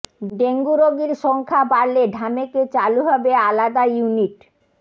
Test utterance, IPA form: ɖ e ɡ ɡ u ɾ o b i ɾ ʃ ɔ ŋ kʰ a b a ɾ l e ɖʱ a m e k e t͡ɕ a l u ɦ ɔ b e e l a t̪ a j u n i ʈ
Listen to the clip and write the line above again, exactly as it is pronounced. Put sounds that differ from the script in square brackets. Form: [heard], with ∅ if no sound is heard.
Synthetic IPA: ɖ e [ŋ] ɡ u ɾ o [ɡ] i ɾ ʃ ɔ ŋ kʰ a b a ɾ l e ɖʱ a m e k e t͡ɕ a l u ɦ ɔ b e [a] l a [d̪] a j u n i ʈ

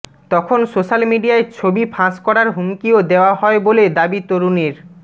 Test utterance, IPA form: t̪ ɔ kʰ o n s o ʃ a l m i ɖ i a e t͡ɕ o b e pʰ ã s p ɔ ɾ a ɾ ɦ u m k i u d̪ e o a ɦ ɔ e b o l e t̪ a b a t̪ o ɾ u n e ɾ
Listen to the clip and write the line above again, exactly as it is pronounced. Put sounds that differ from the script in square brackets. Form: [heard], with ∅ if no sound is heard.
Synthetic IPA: t̪ ɔ kʰ o n s o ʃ a l m i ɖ i a e [t͡ɕʰ] o b [i] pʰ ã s [k] ɔ ɾ a ɾ ɦ u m k i [o] d̪ e o a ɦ ɔ e b o l e [d̪] a b [i] t̪ o ɾ u n e ɾ

